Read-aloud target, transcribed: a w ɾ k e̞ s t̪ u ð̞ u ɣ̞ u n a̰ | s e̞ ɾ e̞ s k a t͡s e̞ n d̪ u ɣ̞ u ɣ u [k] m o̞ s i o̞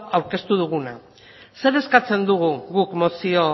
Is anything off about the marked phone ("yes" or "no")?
no